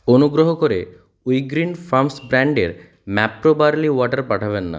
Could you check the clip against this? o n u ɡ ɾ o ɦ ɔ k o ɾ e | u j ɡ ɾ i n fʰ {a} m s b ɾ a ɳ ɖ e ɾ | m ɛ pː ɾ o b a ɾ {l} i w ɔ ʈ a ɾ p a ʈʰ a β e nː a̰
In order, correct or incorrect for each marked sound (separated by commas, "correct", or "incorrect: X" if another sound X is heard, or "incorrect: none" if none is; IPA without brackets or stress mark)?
correct, correct